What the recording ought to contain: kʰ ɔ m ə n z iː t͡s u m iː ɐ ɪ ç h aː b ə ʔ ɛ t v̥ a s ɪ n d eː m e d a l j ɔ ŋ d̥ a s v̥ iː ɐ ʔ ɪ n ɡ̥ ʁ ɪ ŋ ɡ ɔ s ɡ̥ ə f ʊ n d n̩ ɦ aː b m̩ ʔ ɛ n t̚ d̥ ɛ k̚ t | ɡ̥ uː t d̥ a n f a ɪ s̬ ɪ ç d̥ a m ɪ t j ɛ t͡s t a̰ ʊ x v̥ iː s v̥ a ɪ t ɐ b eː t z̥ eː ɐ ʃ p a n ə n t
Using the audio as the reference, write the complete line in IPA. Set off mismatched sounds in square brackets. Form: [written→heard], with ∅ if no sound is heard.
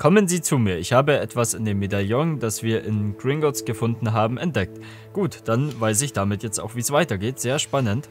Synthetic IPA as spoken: kʰ ɔ m ə n z iː t͡s u m iː ɐ ɪ ç h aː b ə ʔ ɛ t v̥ a s ɪ n d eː m e d a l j ɔ ŋ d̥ a s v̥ iː ɐ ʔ ɪ n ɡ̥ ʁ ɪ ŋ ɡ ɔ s ɡ̥ ə f ʊ n d n̩ ɦ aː b m̩ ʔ ɛ n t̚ d̥ ɛ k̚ t | ɡ̥ uː t d̥ a n [f→v] a ɪ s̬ ɪ ç d̥ a m ɪ t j ɛ t͡s t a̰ ʊ x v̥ iː s v̥ a ɪ t ɐ [b→ɡ] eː t z̥ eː ɐ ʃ p a n ə n t